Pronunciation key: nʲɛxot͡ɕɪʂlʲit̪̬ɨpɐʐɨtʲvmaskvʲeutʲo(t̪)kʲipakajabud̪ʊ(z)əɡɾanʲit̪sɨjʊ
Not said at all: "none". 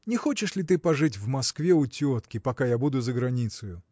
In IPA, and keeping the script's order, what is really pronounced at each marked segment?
t̪, z

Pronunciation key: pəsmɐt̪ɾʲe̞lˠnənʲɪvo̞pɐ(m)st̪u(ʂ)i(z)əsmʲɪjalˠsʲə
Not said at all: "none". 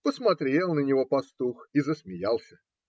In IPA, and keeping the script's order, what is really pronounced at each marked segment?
none, x, z

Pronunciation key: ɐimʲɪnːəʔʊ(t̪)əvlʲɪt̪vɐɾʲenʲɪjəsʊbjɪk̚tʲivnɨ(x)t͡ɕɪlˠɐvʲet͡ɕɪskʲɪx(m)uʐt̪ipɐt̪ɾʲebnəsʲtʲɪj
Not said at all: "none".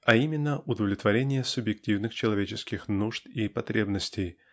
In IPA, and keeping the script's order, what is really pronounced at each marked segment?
d̪, x, n

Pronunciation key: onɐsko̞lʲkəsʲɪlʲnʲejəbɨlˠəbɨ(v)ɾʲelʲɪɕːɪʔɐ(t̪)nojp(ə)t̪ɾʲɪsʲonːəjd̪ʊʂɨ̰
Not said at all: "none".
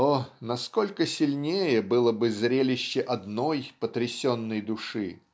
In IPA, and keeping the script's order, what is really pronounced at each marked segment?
z, d̪, ə

